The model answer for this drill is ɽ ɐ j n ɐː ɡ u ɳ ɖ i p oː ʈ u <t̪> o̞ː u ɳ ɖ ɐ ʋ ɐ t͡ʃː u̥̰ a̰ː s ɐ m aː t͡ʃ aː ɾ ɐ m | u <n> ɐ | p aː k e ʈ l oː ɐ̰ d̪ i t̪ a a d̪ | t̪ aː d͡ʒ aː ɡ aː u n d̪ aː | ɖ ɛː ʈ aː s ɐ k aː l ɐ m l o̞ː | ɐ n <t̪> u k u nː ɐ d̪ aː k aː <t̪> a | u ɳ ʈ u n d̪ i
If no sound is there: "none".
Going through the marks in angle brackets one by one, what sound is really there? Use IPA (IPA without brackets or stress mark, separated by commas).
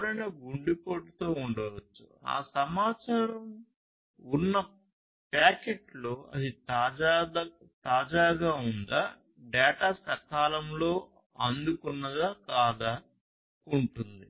t̪, nː, d̪, d̪